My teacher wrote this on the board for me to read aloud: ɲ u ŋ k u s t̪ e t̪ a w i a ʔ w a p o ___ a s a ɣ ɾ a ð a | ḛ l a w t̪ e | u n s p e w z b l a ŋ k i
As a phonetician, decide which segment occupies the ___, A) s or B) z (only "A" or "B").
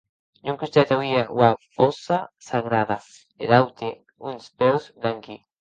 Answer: A